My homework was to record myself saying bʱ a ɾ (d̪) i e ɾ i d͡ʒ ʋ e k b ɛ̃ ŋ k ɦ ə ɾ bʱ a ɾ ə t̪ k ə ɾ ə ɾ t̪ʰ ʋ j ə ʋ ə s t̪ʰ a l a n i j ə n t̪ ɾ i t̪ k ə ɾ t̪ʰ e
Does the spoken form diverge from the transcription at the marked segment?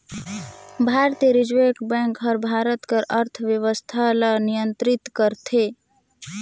yes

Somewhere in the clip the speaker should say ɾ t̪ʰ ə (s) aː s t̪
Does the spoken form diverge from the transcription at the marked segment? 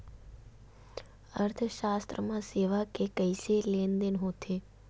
yes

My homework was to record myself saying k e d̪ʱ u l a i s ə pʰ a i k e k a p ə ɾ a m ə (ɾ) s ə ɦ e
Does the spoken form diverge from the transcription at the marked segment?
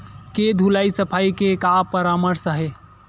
no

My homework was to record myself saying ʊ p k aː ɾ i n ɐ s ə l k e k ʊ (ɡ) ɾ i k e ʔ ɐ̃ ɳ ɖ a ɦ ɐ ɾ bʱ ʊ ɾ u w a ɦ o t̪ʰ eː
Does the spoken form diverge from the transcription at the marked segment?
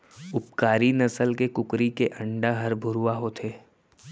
yes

